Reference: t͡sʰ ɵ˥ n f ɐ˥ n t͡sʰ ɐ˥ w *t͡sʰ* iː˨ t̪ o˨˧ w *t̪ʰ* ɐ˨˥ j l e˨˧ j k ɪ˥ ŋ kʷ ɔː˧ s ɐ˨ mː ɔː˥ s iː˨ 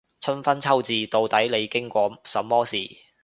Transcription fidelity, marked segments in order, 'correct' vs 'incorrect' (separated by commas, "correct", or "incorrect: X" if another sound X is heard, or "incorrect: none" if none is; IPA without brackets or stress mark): incorrect: t͡s, incorrect: t̪